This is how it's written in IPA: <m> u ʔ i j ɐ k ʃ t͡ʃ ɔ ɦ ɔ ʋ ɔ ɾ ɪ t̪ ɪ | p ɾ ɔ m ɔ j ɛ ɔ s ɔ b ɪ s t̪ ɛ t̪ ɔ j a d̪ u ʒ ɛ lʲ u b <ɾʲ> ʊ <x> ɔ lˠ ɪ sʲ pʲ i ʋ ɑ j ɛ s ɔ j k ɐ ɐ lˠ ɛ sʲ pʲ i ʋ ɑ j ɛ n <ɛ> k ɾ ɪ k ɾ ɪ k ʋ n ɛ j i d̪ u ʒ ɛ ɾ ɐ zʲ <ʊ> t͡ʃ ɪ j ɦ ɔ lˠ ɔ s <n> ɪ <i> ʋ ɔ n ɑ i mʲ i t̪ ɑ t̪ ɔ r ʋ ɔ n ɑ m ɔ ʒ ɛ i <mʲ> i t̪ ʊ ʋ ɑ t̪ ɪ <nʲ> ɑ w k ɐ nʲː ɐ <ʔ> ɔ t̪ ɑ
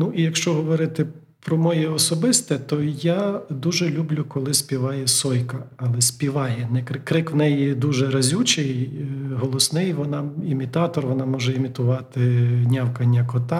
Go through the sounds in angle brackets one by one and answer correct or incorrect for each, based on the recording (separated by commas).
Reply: incorrect, incorrect, incorrect, correct, incorrect, correct, incorrect, correct, correct, incorrect